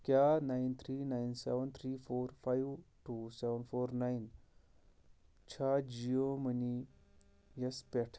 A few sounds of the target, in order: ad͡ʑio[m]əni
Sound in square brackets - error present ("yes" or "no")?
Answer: no